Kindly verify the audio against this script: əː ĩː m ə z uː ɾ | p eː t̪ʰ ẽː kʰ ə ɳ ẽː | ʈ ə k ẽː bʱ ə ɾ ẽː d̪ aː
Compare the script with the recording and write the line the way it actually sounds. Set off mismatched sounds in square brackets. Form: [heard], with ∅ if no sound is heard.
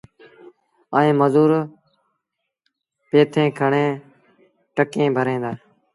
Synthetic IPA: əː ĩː m ə z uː ɾ | p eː t̪ʰ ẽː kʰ ə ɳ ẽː | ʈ ə k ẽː bʱ ə ɾ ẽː d̪ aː